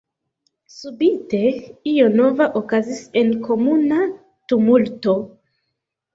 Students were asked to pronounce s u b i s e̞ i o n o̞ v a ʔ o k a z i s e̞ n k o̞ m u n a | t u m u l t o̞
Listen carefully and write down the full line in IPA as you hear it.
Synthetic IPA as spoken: s u b i t e̞ i o n o̞ v a ʔ o k a z i s e̞ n k o̞ m u n a | t u m u l t o̞